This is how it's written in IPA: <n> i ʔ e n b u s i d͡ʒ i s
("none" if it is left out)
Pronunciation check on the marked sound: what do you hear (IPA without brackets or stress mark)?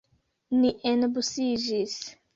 n